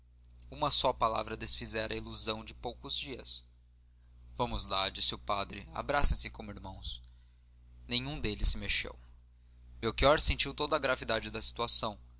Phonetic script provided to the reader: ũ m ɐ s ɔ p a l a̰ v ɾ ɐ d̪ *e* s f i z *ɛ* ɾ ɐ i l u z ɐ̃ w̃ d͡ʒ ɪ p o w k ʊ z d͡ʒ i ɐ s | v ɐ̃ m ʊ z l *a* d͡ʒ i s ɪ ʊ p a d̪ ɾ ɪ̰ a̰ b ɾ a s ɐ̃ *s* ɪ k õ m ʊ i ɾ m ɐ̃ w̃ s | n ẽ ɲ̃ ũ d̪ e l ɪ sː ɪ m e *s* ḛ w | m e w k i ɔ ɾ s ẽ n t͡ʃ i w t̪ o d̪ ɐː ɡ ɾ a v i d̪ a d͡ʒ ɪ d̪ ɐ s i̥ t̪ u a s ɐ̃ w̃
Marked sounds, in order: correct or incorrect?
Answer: correct, correct, correct, correct, incorrect

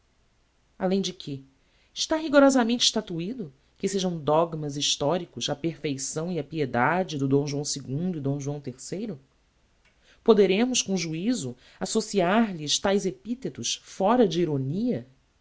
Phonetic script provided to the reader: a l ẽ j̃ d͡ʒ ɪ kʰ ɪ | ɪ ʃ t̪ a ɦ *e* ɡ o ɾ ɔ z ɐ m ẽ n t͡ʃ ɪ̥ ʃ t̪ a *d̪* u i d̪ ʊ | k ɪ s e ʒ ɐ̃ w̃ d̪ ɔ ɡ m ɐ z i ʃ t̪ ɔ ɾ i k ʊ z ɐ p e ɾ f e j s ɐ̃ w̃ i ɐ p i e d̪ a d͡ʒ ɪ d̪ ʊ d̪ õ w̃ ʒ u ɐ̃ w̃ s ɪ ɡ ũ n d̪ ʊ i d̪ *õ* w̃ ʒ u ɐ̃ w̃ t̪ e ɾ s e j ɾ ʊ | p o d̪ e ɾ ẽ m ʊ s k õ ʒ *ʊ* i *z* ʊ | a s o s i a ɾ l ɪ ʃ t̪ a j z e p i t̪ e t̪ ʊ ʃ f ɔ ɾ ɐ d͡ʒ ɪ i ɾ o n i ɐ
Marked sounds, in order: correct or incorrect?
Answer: incorrect, incorrect, correct, incorrect, correct

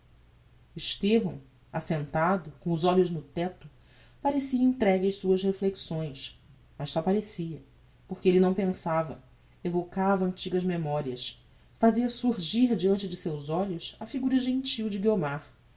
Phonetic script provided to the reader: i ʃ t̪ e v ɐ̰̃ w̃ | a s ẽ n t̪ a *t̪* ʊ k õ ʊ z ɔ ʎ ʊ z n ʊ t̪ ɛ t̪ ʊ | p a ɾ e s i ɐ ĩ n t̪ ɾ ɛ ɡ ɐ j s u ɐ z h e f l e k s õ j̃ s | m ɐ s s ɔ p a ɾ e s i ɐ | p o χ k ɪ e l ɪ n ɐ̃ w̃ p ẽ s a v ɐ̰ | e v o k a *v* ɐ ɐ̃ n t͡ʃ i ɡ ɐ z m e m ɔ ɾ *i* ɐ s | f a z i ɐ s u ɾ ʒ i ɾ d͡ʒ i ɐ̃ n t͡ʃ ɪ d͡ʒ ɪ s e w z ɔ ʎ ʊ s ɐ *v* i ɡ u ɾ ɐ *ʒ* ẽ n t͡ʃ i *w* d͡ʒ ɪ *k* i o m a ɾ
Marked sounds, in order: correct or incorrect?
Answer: incorrect, correct, correct, incorrect, correct, correct, incorrect

